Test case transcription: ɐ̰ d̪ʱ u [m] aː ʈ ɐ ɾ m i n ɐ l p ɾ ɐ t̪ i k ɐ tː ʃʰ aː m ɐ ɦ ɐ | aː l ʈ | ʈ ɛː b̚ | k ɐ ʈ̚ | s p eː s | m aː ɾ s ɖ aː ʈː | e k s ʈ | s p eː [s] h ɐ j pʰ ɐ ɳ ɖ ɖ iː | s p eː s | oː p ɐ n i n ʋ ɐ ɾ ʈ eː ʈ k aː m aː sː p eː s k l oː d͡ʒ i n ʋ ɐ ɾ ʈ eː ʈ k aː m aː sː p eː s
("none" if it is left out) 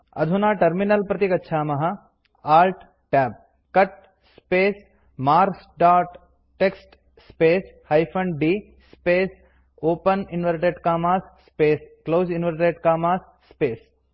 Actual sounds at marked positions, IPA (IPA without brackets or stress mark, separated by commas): n, s